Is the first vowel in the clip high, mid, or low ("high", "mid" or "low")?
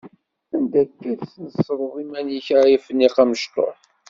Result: low